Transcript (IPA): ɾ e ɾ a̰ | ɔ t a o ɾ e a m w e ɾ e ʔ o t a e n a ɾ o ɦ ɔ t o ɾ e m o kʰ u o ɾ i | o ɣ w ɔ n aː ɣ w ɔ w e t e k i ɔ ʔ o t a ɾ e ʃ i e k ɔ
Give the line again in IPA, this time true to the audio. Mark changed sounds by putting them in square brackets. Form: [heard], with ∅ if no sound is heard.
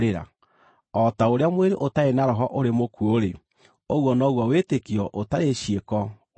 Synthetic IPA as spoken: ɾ e ɾ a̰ | ɔ t a o ɾ e a m w e ɾ e ʔ o t a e n a ɾ [ɔ] ɦ ɔ [ʔ] o ɾ e m o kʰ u o ɾ [e] | o ɣ w ɔ n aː ɣ w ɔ w e t e k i ɔ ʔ o t a ɾ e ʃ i e k ɔ